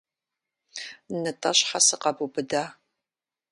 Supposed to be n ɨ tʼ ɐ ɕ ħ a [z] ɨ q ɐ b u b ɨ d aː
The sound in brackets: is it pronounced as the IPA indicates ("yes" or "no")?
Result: no